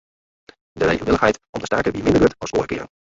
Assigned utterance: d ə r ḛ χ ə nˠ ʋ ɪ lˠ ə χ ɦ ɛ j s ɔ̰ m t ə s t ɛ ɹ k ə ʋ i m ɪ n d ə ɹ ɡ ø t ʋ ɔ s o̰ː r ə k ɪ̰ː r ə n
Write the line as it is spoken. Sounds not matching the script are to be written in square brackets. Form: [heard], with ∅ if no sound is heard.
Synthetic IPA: d ə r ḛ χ ə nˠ ʋ ɪ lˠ ə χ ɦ ɛ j [t] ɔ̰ m t ə s t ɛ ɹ k ə ʋ i m ɪ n d ə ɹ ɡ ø t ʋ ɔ s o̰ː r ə k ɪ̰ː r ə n